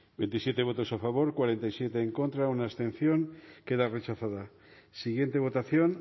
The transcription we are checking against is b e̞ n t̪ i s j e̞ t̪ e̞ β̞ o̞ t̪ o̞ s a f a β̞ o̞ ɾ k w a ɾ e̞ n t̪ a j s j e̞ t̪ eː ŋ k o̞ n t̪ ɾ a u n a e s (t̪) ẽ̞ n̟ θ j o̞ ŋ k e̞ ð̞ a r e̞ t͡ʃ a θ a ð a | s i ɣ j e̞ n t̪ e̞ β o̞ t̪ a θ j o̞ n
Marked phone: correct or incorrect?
correct